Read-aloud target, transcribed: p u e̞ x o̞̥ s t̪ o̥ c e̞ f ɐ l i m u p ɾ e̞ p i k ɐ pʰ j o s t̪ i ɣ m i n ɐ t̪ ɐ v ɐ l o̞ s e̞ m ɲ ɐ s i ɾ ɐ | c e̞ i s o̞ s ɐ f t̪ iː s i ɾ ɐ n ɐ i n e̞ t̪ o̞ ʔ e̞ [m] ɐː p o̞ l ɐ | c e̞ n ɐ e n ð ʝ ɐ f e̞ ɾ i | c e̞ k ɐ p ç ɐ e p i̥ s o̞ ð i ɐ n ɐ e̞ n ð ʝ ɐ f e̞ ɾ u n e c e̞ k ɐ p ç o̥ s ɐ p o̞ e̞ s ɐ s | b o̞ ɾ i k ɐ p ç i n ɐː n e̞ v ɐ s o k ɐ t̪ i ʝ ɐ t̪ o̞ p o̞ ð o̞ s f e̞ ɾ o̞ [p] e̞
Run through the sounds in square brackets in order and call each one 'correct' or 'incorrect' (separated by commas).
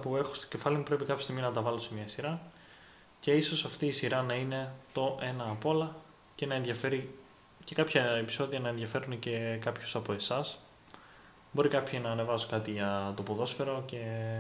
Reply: incorrect, incorrect